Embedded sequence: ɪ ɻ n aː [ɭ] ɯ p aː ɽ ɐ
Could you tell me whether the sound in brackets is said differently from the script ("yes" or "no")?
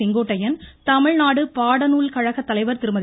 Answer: yes